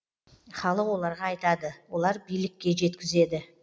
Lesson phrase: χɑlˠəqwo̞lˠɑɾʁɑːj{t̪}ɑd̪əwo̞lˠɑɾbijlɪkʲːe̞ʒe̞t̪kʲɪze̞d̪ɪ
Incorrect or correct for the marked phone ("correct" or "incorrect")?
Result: correct